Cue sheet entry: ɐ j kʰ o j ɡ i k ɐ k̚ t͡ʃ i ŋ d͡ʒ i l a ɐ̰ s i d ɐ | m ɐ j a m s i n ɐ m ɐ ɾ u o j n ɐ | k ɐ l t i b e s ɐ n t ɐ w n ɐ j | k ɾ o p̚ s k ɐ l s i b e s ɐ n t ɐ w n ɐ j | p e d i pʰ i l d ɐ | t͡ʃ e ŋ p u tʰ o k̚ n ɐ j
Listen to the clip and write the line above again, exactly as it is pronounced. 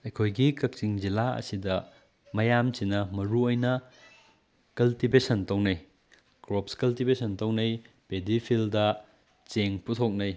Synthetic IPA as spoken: ɐ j kʰ o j ɡ i k ɐ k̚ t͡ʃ i ŋ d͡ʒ i l a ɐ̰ s i d ɐ | m ɐ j a m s i n ɐ m ɐ ɾ u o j n ɐ | k ɐ l t i b e s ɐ n t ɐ w n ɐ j | k ɾ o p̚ s k ɐ l t i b e s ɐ n t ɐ w n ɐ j | p e d i pʰ i l d ɐ | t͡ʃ e ŋ p u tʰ o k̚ n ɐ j